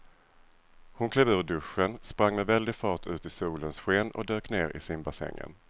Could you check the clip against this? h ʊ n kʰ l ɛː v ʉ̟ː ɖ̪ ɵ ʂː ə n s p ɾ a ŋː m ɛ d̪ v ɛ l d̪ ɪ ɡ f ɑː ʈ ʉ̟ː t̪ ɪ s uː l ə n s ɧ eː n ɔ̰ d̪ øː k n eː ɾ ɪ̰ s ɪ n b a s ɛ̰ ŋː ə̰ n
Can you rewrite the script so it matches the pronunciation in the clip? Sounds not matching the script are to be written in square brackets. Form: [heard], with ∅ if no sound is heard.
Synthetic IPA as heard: h ʊ n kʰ l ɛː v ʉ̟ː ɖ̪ ɵ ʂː ə n s p ɾ a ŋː m ɛ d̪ v ɛ l d̪ ɪ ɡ f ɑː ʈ ʉ̟ː t̪ ɪ s uː l ə n s ɧ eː n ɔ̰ d̪ øː k n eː ɾ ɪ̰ s ɪ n b a s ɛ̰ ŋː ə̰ n